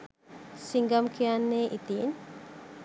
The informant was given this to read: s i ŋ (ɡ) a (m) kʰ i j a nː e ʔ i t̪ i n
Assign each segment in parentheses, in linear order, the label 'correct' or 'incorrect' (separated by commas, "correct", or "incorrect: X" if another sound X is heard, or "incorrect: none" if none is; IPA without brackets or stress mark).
correct, correct